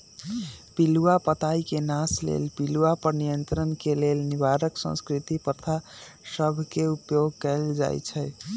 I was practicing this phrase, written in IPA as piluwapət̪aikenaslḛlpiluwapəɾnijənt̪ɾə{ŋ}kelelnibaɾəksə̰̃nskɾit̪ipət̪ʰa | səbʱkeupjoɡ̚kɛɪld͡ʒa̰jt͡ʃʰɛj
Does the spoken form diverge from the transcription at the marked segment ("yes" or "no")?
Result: yes